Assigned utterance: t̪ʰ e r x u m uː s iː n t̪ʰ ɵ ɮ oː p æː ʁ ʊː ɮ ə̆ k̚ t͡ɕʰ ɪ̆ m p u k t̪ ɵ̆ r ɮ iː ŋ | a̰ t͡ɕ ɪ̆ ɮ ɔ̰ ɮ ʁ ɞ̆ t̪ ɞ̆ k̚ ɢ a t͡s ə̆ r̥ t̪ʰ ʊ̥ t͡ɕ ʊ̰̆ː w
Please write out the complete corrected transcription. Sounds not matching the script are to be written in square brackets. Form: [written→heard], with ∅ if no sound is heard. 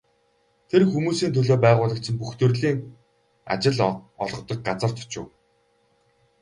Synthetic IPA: t̪ʰ e r x u m uː s iː n t̪ʰ ɵ ɮ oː p æː ʁ ʊː ɮ ə̆ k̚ t͡ɕʰ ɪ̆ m p u [k→x] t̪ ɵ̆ r ɮ iː ŋ | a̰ t͡ɕ ɪ̆ ɮ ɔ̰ ɮ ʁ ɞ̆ t̪ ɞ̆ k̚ ɢ a t͡s ə̆ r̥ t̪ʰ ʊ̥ t͡ɕ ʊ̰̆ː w